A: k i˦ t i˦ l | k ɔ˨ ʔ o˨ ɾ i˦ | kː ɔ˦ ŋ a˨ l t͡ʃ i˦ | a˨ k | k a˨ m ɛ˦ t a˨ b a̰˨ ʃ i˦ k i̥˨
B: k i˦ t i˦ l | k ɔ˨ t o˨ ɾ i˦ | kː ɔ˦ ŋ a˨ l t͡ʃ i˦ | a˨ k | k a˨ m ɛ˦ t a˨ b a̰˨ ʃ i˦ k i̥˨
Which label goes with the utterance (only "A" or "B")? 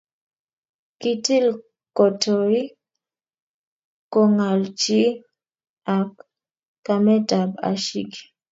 B